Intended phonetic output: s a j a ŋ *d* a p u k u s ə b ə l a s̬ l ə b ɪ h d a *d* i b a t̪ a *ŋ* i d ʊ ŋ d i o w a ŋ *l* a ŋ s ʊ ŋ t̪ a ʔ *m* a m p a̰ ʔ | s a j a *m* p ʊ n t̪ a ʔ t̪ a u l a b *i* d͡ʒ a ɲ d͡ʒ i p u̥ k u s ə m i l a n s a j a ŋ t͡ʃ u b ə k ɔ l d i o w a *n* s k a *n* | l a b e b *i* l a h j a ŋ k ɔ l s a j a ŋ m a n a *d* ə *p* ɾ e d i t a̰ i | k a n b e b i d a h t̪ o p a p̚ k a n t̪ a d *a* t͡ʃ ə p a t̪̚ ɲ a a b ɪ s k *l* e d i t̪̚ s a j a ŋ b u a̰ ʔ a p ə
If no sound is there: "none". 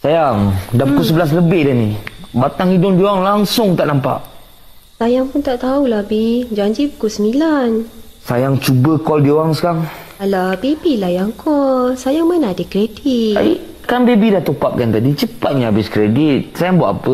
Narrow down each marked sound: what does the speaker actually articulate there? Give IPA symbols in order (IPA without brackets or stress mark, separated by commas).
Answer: d, n, ŋ, l, n, ŋ, i, ŋ, ŋ, i, d, k, i, ɾ